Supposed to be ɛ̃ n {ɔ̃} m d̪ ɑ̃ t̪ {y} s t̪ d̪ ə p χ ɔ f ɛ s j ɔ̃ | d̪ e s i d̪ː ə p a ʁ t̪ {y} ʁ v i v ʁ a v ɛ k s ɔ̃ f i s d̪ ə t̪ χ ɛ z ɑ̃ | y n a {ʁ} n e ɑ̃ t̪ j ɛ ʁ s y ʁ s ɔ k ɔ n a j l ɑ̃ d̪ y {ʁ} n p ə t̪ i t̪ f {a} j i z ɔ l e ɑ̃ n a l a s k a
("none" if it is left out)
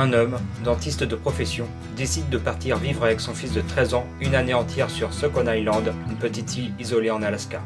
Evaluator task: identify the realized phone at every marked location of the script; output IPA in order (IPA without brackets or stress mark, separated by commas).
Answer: ɔ, i, i, none, none, i